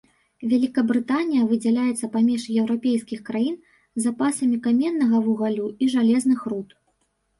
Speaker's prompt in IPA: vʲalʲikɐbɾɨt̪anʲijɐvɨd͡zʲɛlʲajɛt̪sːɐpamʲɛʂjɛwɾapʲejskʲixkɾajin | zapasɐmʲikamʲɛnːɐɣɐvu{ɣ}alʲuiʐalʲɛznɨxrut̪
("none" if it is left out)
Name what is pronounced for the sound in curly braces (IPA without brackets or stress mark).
ɣ